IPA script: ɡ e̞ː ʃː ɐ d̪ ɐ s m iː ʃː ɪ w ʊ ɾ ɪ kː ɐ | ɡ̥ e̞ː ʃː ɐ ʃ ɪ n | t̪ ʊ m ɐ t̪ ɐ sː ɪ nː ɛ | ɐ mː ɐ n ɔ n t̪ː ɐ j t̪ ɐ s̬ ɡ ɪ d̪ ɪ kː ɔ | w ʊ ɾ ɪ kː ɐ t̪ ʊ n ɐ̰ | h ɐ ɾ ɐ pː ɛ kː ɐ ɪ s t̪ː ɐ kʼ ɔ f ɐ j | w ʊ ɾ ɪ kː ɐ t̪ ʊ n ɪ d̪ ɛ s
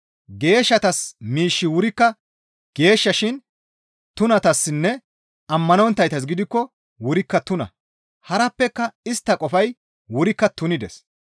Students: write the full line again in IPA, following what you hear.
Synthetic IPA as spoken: ɡ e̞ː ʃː ɐ t̪ ɐ s m iː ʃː ɪ w ʊ ɾ ɪ kː ɐ | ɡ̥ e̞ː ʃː ɐ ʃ ɪ n | t̪ ʊ n ɐ t̪ ɐ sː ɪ nː ɛ | ɐ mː ɐ n ɔ n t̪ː ɐ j t̪ ɐ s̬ ɡ ɪ d̪ ɪ kː ɔ | w ʊ ɾ ɪ kː ɐ t̪ ʊ n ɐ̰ | h ɐ ɾ ɐ pː ɛ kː ɐ ɪ s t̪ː ɐ kʼ ɔ f ɐ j | w ʊ ɾ ɪ kː ɐ t̪ ʊ n ɪ d̪ ɛ s